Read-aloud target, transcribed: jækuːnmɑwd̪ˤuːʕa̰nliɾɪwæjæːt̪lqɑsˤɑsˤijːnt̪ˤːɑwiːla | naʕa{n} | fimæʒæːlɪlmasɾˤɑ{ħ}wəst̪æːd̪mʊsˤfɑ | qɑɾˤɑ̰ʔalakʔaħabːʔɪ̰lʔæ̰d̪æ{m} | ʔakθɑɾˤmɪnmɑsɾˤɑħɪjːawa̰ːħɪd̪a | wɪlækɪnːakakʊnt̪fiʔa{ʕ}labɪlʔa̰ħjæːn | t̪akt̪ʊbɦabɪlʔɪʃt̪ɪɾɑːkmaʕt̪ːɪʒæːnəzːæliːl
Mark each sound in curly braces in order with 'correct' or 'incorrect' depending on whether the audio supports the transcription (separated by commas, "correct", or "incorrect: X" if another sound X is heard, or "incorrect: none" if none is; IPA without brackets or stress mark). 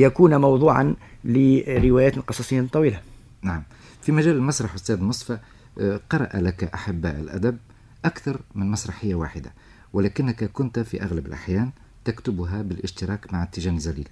incorrect: m, correct, incorrect: b, incorrect: ɣ